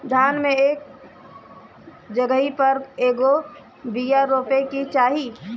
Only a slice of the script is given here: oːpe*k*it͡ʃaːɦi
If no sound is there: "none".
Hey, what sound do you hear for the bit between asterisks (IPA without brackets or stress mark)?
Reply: k